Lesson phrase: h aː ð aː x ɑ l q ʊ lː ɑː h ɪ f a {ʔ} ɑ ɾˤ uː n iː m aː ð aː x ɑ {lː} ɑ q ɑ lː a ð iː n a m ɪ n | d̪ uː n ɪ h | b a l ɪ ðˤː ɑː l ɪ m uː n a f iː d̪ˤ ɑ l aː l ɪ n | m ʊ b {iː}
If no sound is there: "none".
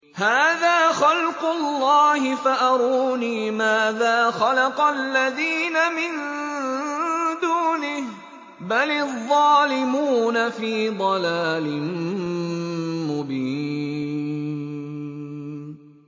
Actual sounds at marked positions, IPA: ʔ, l, iː

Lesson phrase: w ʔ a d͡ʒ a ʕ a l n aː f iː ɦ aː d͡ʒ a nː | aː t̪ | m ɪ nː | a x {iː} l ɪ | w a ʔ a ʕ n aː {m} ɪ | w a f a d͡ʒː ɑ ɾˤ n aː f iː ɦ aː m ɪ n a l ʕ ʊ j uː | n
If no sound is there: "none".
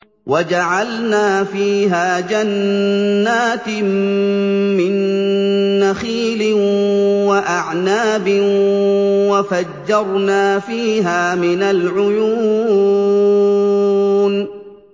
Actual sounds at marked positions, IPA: iː, b

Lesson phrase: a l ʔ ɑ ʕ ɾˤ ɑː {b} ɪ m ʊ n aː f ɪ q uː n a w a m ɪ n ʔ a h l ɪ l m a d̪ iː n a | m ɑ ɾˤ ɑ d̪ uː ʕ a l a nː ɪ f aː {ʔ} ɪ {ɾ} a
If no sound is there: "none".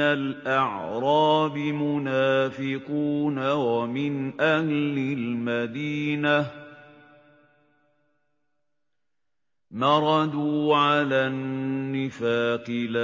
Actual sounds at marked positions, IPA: b, q, l

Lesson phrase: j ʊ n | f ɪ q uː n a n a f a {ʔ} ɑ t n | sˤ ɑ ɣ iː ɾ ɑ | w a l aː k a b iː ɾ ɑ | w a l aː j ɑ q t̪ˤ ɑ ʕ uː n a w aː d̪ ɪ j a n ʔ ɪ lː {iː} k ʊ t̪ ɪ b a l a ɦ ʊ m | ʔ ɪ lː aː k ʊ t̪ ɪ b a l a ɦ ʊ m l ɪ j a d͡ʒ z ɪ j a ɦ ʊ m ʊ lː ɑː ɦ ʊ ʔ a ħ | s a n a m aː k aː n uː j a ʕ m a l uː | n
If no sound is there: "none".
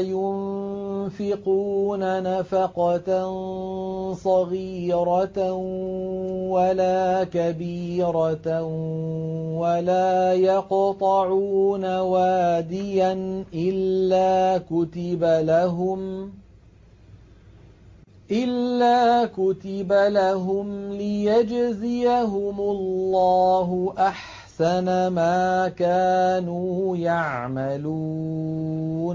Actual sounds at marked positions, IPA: q, aː

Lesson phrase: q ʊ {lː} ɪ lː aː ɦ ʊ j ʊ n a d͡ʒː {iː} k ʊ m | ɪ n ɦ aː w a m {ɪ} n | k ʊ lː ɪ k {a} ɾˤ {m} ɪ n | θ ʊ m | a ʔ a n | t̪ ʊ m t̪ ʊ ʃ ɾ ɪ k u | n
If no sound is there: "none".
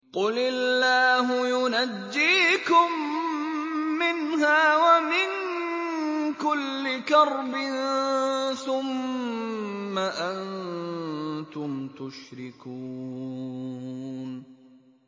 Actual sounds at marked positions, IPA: l, iː, ɪ, ɑ, b

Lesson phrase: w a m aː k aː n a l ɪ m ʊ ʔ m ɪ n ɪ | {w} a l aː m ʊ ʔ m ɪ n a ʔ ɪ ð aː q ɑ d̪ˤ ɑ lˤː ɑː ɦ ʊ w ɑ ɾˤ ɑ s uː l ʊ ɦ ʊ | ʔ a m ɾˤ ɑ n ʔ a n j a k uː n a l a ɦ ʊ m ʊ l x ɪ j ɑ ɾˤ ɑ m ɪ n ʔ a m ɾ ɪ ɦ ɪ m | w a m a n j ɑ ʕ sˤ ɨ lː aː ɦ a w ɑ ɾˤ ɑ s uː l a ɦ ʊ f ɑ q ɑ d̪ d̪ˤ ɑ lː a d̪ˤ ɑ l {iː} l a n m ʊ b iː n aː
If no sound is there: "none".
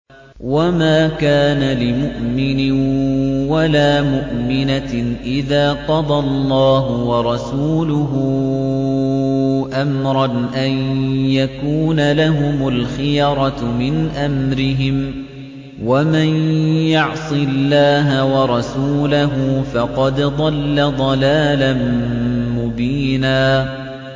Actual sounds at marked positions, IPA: w, aː

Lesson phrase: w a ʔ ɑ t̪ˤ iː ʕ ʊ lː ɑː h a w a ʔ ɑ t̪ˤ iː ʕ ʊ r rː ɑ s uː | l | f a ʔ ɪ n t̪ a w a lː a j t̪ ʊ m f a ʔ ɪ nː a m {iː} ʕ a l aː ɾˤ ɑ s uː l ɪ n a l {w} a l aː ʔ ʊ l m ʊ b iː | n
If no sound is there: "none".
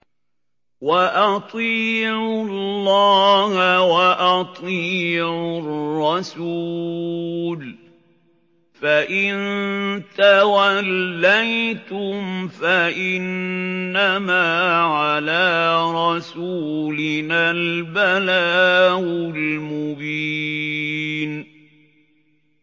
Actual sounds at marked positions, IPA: aː, b

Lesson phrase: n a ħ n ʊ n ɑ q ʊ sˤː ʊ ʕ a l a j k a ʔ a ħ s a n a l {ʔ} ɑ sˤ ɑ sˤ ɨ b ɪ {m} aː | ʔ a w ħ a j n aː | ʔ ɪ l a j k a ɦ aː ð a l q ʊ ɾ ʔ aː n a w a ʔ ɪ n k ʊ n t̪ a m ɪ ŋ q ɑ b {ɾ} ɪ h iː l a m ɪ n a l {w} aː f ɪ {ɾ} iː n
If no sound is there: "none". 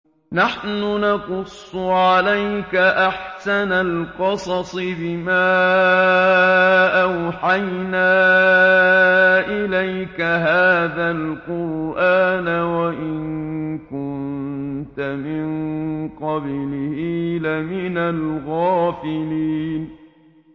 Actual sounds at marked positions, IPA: q, m, l, ɣ, l

